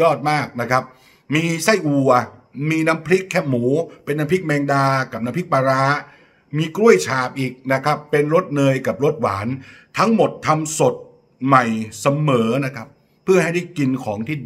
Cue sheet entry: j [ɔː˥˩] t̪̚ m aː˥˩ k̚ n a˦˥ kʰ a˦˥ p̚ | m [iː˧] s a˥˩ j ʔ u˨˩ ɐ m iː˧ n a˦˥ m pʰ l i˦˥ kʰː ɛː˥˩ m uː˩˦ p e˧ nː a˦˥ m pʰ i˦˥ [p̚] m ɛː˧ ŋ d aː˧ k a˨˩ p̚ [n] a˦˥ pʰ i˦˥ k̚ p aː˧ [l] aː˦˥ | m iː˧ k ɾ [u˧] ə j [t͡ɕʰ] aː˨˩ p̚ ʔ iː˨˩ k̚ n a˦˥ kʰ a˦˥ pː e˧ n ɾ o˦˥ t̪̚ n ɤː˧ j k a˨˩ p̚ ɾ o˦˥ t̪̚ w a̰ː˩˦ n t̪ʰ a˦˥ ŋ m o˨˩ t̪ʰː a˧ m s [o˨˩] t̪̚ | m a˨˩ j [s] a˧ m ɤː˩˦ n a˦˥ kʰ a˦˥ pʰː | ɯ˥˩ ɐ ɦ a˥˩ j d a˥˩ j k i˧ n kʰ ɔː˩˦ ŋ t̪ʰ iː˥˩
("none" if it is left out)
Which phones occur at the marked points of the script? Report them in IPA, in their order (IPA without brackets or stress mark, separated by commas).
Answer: ɔː˥˩, iː˧, k̚, n, ɾ, u˥˩, t͡ɕʰ, o˨˩, s